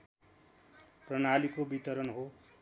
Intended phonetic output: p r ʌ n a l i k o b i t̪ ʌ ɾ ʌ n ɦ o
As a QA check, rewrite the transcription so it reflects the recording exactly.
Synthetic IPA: p r ʌ n a l i k o b i t̪ ʌ ɾ ʌ n ɦ o